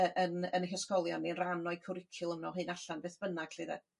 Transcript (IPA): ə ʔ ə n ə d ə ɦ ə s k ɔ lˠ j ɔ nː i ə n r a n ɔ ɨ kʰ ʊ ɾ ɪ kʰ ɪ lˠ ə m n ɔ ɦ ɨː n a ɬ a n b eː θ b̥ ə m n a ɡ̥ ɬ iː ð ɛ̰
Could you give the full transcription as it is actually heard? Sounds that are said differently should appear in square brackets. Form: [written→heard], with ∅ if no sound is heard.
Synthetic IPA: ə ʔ ə n ə [d→n] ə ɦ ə s k ɔ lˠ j ɔ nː i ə n r a n ɔ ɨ kʰ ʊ ɾ ɪ kʰ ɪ lˠ ə m n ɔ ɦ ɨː n a ɬ a n b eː θ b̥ ə [m→∅] n a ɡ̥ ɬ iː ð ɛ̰

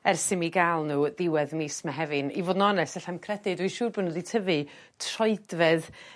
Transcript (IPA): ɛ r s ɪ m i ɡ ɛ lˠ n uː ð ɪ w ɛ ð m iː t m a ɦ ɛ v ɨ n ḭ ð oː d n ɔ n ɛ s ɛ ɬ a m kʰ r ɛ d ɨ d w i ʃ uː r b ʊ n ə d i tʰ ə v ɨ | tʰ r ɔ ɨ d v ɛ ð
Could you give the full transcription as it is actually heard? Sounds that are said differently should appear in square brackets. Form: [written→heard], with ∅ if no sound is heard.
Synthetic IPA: ɛ r s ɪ m i ɡ [ɛ→a] lˠ n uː ð ɪ w ɛ ð m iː [t→s] m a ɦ ɛ v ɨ n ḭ [ð→v] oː d n ɔ n ɛ s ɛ ɬ a m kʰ r ɛ d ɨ d w i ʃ uː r b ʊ n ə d i tʰ ə v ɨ | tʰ r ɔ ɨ d v ɛ ð

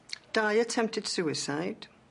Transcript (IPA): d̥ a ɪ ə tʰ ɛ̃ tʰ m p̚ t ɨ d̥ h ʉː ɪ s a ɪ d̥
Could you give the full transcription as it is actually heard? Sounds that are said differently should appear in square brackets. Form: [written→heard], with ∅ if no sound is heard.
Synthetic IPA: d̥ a ɪ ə tʰ ɛ̃ [tʰ→∅] m p̚ t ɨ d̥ [h→s] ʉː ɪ s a ɪ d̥

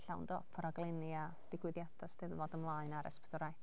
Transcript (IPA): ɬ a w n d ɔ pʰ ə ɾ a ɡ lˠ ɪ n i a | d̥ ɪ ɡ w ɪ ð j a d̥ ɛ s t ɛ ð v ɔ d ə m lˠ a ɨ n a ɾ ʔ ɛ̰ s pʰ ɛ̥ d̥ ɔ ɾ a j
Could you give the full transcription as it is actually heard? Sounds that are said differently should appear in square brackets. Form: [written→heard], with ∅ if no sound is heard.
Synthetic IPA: ɬ a w n d ɔ pʰ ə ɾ a ɡ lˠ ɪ n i a | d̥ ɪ ɡ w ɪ ð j a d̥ [ɛ→a] s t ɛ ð v ɔ d ə m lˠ a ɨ n a ɾ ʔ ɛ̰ s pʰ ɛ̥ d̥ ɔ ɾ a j

